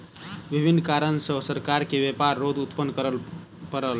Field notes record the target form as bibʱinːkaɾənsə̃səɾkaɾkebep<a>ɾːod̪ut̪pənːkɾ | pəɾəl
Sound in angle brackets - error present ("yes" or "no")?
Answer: no